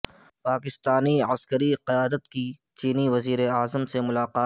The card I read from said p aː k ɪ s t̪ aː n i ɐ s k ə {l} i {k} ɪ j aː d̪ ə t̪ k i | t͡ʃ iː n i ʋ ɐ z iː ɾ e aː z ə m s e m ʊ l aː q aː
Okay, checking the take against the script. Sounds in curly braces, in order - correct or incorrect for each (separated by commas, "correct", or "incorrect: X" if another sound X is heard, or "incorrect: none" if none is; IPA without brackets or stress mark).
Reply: incorrect: ɾ, incorrect: q